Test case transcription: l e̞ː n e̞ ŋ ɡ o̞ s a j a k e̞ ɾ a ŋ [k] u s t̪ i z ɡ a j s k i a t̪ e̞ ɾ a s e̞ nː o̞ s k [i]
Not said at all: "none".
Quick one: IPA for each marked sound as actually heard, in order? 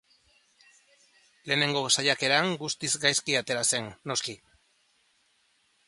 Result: ɡ, i

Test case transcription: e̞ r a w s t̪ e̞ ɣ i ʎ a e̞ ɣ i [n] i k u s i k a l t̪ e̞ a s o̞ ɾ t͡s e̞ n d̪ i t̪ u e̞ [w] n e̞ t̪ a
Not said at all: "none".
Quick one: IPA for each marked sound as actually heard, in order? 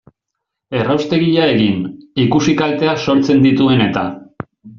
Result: n, none

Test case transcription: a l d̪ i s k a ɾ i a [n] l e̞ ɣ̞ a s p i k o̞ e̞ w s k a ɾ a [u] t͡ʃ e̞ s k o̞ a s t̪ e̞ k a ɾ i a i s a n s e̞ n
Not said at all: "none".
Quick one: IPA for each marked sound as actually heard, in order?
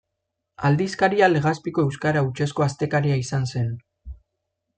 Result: none, u

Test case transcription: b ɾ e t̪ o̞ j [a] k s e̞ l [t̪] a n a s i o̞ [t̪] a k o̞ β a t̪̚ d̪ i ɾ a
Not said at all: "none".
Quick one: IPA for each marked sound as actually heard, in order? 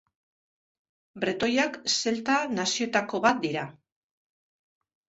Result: a, t̪, t̪

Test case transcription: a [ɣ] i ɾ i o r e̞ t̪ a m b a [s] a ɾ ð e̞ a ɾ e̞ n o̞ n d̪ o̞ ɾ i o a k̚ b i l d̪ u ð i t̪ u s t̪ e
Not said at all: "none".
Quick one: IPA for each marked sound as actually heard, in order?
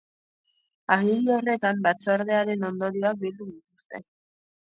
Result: ɣ, t͡s

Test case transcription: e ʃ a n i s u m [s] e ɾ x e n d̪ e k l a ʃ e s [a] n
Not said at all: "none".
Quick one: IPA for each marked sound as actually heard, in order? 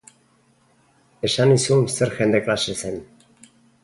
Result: s, e

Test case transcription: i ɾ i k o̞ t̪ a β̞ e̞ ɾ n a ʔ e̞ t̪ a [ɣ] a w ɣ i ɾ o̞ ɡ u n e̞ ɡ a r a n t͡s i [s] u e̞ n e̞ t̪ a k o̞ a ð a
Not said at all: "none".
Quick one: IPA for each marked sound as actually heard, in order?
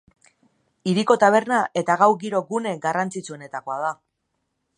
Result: ɣ, t͡s

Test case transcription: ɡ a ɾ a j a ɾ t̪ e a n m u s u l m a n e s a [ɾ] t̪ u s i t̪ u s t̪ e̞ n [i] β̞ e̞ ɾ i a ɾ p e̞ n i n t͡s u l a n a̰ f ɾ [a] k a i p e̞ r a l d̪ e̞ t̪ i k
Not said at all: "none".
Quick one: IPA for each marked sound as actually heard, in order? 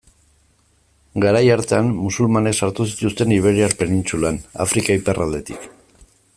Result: ɾ, i, i

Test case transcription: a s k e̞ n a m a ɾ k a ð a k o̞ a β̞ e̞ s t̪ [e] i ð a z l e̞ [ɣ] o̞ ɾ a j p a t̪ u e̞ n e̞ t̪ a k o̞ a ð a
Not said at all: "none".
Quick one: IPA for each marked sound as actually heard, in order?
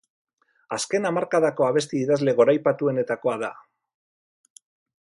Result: i, ɣ

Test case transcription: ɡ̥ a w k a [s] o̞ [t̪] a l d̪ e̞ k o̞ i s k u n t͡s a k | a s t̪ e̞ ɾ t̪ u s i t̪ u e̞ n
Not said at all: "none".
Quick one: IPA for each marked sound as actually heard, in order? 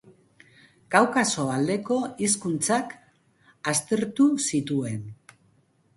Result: s, none

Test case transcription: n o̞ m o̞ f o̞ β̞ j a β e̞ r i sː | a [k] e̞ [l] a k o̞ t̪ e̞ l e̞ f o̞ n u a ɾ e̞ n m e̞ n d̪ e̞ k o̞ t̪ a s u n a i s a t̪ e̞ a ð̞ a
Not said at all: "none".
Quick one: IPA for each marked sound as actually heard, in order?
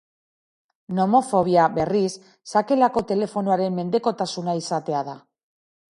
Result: k, l

